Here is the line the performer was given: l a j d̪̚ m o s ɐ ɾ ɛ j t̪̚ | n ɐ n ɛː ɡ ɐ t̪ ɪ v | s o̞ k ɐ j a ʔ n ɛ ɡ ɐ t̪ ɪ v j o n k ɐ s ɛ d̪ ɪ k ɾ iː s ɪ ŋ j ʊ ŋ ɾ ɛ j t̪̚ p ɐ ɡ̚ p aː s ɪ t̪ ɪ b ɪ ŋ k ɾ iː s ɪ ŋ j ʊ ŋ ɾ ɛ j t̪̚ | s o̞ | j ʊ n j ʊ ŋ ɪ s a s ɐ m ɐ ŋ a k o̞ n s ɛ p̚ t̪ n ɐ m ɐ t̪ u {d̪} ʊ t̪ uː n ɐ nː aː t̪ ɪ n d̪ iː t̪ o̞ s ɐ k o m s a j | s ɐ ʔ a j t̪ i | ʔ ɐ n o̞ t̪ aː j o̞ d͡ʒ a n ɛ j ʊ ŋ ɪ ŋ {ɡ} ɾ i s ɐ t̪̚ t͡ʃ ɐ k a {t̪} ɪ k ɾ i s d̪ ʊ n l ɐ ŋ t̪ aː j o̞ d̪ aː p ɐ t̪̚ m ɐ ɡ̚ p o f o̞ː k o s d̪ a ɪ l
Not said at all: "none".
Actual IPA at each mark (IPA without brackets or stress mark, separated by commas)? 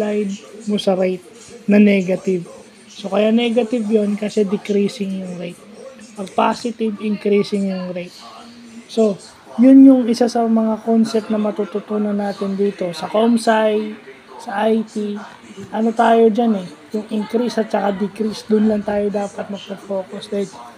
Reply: t̪, k, d̪